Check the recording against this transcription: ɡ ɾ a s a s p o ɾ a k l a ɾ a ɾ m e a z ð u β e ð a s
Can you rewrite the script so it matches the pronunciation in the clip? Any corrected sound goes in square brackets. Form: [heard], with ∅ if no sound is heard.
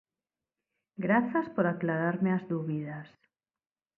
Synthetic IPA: ɡ ɾ a [θ] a s p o ɾ a k l a ɾ a ɾ m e a z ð u β [i] ð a s